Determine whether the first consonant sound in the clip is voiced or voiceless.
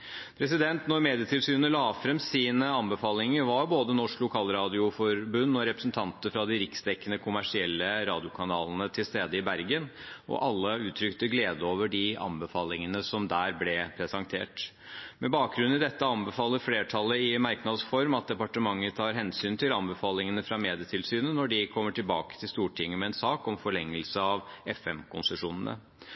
voiceless